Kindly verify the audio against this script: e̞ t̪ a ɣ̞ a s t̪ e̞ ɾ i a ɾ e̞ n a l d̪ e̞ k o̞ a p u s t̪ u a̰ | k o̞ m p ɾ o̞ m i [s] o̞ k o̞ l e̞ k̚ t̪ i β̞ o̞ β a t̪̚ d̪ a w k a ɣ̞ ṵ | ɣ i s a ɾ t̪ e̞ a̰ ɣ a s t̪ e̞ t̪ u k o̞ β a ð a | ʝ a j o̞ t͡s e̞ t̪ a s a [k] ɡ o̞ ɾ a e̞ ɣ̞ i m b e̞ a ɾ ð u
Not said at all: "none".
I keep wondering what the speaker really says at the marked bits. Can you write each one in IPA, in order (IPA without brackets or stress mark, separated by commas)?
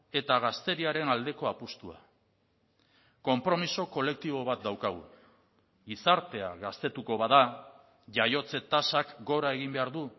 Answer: s, k